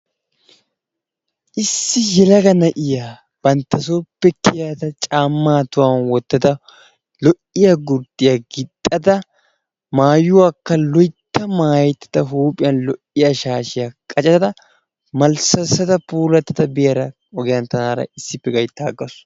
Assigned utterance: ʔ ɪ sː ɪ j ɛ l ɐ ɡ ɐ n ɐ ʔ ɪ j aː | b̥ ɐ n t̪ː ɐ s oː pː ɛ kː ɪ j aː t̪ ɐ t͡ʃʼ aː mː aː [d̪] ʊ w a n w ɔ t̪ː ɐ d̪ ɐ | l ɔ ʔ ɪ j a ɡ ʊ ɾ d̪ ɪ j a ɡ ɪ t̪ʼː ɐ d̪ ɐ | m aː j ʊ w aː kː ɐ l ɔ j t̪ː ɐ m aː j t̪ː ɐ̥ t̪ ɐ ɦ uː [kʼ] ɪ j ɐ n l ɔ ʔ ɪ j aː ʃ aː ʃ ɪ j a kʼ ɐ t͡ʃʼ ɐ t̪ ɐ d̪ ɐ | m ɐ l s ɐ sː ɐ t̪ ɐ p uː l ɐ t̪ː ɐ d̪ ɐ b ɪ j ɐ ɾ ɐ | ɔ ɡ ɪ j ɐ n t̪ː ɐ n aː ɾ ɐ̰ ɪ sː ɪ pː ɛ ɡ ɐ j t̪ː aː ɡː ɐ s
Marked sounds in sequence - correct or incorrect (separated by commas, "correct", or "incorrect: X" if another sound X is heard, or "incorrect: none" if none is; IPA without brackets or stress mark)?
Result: incorrect: t̪, incorrect: pʼ